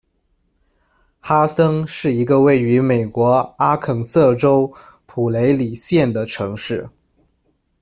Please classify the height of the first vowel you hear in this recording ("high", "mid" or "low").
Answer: low